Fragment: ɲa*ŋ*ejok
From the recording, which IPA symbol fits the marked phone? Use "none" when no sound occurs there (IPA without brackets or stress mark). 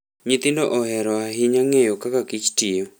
ŋ